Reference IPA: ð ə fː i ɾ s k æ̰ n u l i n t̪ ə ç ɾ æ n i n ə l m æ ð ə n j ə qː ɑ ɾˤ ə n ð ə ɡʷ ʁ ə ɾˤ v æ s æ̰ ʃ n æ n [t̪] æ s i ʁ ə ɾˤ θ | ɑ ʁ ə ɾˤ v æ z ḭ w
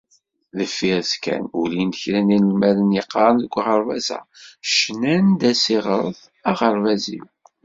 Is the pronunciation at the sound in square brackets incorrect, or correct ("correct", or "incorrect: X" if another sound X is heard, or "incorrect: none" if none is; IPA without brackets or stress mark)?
incorrect: d̪